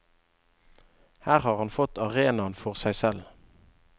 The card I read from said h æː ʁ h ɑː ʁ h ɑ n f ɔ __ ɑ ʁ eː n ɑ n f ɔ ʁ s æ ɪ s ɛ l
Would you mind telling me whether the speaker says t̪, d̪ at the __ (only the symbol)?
t̪